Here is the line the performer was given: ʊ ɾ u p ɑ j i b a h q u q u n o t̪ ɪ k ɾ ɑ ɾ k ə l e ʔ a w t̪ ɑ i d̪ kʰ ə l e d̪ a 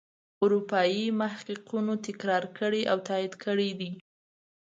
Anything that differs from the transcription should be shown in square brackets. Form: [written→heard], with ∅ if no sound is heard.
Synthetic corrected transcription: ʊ ɾ u p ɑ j i [b→m] a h q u q u n o t̪ ɪ k ɾ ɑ ɾ k ə [l→ɽ] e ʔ a w t̪ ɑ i d̪ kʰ ə [l→ɽ] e d̪ [a→i]